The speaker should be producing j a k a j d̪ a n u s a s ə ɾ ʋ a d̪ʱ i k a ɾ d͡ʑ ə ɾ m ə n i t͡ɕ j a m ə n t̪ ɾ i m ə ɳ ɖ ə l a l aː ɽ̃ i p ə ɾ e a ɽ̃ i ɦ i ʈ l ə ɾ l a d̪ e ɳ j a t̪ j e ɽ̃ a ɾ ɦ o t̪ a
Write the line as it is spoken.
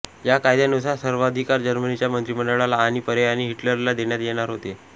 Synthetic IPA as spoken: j a k a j d̪ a n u s a s ə ɾ ʋ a d̪ʱ i k a ɾ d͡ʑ ə ɾ m ə n i t͡ɕ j a m ə n t̪ ɾ i m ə ɳ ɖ ə ɭ a l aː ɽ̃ i p ə ɾ e a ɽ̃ i ɦ i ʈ l ə ɾ l a d̪ e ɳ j a t̪ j e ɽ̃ a ɾ ɦ o t̪ e

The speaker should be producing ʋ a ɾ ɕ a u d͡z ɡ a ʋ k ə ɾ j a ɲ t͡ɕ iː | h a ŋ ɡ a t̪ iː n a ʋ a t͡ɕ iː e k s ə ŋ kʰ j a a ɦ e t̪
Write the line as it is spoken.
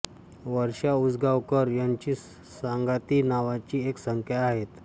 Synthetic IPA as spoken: ʋ ə ɾ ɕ a u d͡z ɡ a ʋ k ə ɾ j a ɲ t͡ɕ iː | s a ŋ ɡ a t̪ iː n a ʋ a t͡ɕ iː e k s ə ŋ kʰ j a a ɦ e t̪

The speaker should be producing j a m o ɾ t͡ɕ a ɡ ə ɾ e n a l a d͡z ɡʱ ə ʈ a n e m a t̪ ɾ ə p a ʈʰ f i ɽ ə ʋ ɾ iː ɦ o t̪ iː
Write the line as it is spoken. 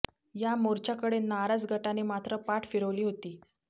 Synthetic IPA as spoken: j a m o ɾ t͡ɕ a k ə ɽ e n a ɾ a d͡z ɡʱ ə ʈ a n e m a t̪ ɾ ə p a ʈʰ f i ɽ ə ʋ l iː ɦ o t̪ iː

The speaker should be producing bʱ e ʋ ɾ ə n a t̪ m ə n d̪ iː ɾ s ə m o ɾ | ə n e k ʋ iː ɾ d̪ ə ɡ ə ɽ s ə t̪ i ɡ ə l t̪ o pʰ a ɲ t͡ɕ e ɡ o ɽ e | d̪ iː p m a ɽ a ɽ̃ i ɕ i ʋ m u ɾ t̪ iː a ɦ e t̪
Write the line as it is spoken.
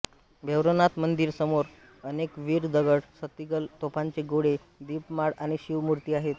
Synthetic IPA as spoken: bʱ e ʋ ɾ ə n a t̪ m ə n d̪ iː ɾ s ə m o ɾ | ə n e k ʋ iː ɾ d̪ ə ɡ ə ɽ s ə t̪ i ɡ ə l t̪ o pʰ a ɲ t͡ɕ e ɡ o ɽ e | d̪ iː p m a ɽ a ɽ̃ i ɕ i ʋ m u ɾ t̪ iː a ɦ e t̪

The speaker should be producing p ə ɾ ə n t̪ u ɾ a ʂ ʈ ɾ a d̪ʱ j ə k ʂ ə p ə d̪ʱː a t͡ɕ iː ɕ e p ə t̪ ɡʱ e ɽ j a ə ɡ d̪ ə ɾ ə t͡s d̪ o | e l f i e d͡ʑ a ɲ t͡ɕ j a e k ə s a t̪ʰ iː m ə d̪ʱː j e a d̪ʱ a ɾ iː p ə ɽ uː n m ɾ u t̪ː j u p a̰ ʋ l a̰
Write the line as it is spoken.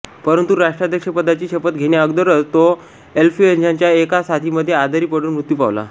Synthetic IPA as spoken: p ə ɾ ə n t̪ u ɾ a ʂ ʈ ɾ a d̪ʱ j ə k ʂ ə p ə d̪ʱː a t͡ɕ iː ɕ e p ə t̪ ɡʱ e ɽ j a ə ɡ d̪ ə ɾ ə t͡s t̪ o | e l f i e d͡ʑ a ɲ t͡ɕ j a e k a s a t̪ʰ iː m ə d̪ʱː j e a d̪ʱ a ɾ iː p ə ɽ uː n m ɾ u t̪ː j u p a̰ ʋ l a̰

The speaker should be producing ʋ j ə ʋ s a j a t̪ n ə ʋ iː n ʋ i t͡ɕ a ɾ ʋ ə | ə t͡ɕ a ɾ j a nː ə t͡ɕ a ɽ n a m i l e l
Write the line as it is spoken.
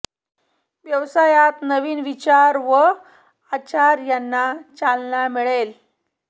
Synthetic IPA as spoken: ʋ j ə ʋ s a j a t̪ n ə ʋ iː n ʋ i t͡ɕ a ɾ ʋ ə | a t͡ɕ a ɾ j a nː a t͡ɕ a l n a m i ɭ e l

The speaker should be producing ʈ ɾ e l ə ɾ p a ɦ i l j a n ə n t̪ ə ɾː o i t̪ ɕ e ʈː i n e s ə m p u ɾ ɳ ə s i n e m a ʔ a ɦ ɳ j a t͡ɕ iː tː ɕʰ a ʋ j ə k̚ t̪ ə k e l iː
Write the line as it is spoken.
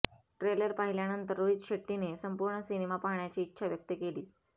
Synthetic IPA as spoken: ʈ ɾ e l ə ɾ p a ɦ i l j a n ə n t̪ ə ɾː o i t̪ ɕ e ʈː i n e s ə m p u ɾ ɳ ə s i n e m a p a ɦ ɳ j a t͡ɕ iː tː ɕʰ a ʋ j ə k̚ t̪ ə k e l iː

